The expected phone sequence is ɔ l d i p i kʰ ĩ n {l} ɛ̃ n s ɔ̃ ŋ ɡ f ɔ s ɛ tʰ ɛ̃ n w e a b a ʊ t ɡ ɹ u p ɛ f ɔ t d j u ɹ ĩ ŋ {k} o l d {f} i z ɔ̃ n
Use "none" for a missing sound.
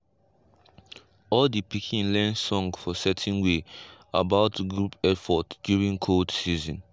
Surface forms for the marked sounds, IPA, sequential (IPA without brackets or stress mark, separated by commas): l, kʰ, s